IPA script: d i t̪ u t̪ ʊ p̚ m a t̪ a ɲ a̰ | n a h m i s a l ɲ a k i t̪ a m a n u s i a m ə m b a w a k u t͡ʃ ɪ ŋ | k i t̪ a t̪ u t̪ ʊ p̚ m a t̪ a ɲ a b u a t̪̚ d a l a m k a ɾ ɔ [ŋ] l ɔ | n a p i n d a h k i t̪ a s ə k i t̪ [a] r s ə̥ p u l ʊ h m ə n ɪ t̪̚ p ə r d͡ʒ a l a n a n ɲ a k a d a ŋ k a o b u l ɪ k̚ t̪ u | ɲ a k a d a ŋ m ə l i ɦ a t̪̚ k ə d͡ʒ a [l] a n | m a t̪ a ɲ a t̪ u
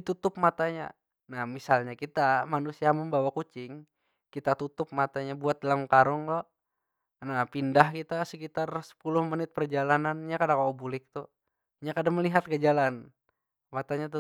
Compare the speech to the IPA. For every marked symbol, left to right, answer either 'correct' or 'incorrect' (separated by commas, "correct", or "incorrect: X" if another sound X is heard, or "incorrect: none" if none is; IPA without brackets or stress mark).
correct, correct, correct